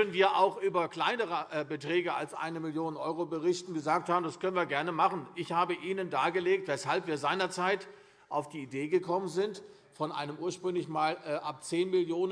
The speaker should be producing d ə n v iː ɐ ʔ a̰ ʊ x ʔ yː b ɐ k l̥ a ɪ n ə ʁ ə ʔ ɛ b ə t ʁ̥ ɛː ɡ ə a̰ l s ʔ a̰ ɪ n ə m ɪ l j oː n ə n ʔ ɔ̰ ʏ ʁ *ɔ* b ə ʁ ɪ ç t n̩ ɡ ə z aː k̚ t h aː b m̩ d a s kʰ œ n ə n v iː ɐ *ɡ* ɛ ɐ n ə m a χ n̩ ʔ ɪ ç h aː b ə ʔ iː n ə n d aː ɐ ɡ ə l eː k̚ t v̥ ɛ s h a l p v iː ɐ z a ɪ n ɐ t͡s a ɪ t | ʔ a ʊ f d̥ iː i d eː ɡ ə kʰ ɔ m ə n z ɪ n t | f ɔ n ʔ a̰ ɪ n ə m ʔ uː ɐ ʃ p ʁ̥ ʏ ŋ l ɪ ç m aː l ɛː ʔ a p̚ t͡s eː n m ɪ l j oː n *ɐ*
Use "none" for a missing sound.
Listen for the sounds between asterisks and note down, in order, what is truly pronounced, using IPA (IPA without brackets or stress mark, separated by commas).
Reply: o, ɡ, ə